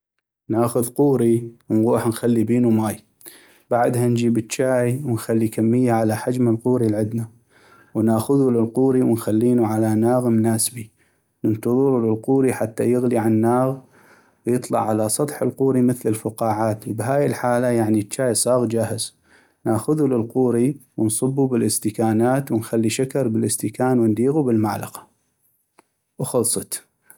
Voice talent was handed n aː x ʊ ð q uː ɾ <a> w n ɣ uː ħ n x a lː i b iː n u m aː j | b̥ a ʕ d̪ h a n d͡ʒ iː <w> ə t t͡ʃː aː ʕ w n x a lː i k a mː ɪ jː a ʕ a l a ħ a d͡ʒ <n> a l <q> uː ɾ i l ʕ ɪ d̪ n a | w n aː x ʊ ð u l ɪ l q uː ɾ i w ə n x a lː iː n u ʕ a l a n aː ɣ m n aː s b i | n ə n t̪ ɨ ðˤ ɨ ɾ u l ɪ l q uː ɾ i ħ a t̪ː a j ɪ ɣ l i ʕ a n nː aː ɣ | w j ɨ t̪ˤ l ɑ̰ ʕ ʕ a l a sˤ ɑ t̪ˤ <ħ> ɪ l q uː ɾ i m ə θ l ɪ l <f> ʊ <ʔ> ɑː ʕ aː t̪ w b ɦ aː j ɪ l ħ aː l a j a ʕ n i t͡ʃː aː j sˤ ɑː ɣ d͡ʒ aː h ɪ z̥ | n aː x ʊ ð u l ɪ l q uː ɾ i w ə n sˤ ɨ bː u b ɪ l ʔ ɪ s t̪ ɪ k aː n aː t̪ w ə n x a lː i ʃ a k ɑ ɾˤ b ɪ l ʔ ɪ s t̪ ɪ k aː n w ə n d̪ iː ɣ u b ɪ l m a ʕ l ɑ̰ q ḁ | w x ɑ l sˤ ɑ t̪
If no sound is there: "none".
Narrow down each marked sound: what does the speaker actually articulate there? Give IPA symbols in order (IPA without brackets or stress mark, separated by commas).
i, b, m, q, ħ, f, q